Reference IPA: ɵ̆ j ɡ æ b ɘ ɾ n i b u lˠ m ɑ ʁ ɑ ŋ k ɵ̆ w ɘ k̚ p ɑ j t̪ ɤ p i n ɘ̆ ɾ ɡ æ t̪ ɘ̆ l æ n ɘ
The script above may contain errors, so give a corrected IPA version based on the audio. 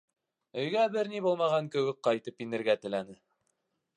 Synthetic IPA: ɵ̆ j ɡ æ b ɘ ɾ n i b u lˠ m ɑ ʁ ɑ ŋ k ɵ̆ w ɘ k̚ q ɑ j t̪ ɤ p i n ɘ̆ ɾ ɡ æ t̪ ɘ̆ l æ n ɘ